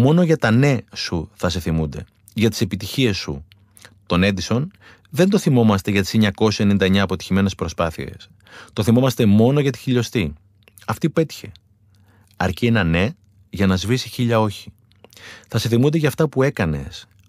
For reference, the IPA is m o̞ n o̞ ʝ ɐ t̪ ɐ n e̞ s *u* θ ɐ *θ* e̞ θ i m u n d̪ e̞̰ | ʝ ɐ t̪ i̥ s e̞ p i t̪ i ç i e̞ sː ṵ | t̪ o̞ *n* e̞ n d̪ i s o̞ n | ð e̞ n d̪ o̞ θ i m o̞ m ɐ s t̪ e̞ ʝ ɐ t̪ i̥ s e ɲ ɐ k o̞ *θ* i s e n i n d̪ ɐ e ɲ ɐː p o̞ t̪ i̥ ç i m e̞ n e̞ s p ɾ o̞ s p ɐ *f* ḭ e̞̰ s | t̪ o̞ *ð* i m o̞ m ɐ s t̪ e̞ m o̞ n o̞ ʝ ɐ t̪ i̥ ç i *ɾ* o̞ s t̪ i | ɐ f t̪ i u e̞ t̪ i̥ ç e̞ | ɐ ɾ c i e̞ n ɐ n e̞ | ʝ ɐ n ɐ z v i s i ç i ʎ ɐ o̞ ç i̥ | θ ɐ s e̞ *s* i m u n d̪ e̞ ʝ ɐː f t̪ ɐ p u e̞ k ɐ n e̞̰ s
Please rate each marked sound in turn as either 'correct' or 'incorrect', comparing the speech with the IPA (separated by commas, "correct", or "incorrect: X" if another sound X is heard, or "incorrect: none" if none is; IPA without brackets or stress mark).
correct, incorrect: s, correct, incorrect: s, incorrect: θ, incorrect: θ, incorrect: ʎ, incorrect: θ